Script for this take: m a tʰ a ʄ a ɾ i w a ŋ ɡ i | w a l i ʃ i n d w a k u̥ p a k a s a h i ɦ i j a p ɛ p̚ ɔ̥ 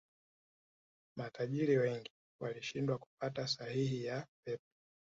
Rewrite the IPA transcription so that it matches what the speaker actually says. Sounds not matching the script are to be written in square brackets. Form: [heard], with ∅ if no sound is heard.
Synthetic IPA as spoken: m a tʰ a ʄ [i] ɾ i w [ɛ] ŋ ɡ i | w a l i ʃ i n d w a k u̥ p a [t] a s a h i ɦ i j a p ɛ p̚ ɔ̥